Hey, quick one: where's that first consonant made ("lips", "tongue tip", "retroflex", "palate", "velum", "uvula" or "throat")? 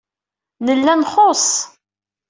tongue tip